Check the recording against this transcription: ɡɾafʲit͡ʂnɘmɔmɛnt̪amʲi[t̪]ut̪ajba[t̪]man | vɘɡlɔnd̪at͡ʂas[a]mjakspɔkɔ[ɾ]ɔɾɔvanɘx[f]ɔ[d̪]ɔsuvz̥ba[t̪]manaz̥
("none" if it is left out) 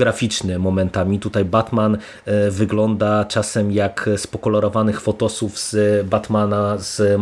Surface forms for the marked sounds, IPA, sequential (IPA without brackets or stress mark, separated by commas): t̪, t̪, ɛ, l, f, t̪, t̪